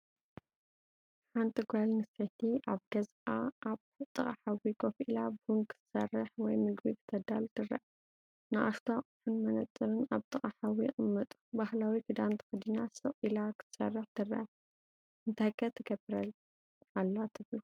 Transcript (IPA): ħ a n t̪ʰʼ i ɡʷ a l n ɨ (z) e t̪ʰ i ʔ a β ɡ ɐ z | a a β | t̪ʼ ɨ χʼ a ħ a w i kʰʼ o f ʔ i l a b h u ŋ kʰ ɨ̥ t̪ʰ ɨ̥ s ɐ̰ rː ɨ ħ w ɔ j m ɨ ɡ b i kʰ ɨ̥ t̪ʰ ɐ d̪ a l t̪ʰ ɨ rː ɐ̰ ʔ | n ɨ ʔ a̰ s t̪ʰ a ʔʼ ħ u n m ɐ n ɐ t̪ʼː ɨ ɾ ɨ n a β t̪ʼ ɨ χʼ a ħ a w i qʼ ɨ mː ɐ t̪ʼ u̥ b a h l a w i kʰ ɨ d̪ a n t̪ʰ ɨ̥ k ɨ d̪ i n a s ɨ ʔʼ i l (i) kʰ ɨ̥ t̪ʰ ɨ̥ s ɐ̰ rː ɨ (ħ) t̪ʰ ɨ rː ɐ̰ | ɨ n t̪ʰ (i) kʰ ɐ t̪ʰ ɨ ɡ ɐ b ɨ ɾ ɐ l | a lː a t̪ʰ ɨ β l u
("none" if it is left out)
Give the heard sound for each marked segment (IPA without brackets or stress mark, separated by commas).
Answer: s, a, ħ, a